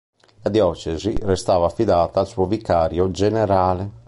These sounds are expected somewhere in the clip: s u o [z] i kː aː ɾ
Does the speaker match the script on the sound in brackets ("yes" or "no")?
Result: no